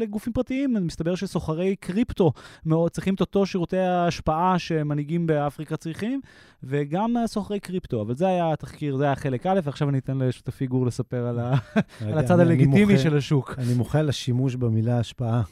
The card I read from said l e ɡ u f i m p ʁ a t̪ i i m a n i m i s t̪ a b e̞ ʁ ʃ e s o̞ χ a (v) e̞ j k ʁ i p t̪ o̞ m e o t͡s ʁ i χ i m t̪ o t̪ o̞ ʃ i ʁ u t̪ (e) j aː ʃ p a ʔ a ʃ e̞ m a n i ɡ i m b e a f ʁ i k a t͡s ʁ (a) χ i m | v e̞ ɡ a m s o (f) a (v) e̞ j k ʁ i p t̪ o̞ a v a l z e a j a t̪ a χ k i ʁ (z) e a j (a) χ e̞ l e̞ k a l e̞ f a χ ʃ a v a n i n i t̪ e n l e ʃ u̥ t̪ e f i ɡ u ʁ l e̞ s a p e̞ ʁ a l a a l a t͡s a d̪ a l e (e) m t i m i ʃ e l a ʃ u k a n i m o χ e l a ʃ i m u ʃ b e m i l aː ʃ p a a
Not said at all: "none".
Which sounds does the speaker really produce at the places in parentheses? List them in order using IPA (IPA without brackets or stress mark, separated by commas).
ʁ, e, i, χ, ʁ, z, a, i